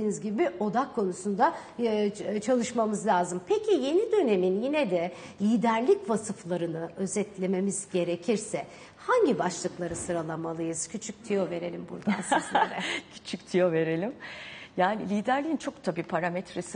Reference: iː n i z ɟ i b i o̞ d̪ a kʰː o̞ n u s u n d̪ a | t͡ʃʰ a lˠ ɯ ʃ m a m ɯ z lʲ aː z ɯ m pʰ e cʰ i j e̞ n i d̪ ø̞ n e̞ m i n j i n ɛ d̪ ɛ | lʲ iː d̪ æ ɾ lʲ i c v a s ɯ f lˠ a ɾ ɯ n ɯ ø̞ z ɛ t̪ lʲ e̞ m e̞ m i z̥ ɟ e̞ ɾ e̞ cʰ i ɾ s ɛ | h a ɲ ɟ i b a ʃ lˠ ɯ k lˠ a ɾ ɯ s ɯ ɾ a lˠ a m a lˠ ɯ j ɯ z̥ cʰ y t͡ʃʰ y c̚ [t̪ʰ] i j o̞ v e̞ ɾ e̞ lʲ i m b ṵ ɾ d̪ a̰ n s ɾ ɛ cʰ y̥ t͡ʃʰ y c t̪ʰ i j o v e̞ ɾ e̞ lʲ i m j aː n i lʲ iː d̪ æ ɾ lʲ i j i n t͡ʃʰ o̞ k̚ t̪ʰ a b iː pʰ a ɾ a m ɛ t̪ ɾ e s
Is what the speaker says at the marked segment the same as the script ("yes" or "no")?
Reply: yes